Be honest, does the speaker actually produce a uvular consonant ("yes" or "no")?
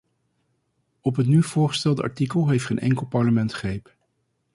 yes